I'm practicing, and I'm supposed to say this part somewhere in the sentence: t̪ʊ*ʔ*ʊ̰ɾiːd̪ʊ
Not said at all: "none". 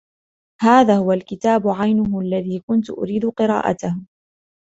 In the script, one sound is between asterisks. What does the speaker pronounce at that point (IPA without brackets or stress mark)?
ʔ